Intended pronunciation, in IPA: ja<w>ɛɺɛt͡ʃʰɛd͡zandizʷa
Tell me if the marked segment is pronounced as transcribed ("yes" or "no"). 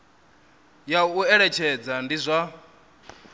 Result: no